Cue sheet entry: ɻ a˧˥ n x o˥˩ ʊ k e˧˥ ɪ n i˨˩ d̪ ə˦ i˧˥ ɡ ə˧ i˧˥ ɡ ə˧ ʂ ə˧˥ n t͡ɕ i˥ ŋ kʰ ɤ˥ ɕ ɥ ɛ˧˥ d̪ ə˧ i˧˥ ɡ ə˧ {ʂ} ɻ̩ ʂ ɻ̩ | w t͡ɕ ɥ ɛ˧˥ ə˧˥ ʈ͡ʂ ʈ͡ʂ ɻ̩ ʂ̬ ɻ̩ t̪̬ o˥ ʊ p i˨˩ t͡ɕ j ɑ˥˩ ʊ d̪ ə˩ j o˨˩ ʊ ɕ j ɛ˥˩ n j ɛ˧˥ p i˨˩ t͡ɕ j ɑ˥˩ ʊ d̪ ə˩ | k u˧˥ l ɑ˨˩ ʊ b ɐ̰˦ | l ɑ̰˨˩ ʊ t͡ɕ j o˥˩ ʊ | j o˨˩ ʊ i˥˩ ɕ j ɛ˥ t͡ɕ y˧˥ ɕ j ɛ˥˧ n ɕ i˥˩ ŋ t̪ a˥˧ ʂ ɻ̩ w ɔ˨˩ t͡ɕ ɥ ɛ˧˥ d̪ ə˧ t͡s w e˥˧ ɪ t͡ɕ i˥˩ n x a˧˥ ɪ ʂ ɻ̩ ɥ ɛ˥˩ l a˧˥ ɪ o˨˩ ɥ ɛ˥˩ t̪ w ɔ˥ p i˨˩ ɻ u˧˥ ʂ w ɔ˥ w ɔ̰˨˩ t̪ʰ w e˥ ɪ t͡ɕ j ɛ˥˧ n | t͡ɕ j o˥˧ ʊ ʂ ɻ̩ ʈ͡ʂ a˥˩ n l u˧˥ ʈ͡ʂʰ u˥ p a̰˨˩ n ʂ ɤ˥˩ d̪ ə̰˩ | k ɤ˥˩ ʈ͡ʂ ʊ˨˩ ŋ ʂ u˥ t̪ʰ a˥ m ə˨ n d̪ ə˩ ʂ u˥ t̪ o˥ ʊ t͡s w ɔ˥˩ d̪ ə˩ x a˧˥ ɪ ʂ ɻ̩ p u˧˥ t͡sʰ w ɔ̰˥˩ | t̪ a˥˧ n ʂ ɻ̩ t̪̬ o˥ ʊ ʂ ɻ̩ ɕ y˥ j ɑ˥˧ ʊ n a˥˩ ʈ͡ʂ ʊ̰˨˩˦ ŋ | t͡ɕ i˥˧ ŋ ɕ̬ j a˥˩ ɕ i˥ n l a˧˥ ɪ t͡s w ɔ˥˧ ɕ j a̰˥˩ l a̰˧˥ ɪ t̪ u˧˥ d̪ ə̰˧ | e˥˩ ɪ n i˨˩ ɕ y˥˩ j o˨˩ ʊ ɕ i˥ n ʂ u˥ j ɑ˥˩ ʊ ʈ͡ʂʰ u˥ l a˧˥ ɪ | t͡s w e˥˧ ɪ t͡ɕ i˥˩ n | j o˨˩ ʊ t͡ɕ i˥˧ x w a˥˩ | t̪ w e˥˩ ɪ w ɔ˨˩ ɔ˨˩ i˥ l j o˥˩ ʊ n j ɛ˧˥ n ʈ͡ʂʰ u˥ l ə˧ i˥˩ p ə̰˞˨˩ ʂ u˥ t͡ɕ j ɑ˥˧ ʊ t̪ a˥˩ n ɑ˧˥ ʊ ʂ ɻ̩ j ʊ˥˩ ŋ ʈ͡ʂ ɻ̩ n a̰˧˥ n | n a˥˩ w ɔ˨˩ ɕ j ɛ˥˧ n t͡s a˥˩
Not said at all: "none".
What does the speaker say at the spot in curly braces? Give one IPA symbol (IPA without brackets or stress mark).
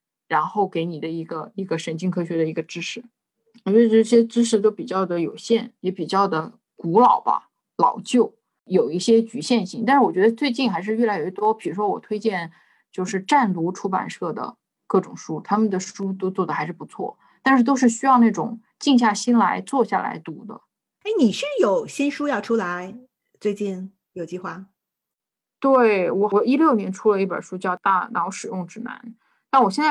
ʈ͡ʂ